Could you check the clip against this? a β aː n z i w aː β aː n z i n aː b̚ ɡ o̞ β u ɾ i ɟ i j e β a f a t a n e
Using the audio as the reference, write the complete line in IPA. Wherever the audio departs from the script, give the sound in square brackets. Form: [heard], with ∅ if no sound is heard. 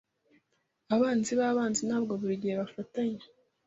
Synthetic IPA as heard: a β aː n z i [β] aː β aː n z i n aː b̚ ɡ o̞ β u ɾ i ɟ i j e β a f a t a [ɲ] e